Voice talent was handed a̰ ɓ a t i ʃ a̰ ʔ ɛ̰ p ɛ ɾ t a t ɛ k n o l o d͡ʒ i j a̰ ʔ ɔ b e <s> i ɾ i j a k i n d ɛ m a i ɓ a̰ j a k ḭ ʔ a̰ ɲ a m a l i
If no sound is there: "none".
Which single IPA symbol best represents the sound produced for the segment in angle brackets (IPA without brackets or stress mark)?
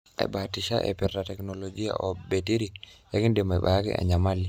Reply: t